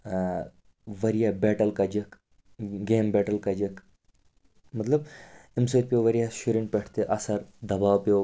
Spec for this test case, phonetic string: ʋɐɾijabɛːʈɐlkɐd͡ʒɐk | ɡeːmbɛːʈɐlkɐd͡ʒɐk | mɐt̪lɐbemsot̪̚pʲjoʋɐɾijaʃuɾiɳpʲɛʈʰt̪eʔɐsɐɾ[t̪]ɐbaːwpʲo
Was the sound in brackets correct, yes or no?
no